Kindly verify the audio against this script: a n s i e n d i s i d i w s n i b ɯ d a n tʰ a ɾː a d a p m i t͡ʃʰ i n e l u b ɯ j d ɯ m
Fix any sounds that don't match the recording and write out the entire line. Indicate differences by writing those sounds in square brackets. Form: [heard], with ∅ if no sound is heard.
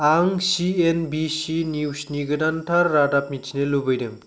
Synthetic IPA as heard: a [ŋ] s i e n [b] i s i [n] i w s n i [ɡ] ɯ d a n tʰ a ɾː a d a p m i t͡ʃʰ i n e l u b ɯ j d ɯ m